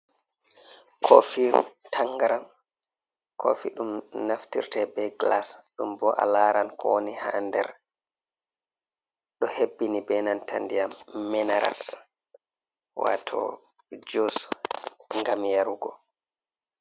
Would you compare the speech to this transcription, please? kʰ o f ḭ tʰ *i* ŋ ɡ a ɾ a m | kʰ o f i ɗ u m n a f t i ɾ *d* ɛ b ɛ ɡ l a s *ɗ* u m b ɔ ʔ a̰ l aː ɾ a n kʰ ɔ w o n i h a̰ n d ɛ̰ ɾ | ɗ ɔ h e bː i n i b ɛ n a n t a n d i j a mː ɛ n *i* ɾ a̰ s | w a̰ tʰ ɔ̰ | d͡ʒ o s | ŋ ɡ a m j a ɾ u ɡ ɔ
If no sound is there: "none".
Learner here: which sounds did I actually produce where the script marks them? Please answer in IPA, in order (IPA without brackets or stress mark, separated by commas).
a, t, ɗ, a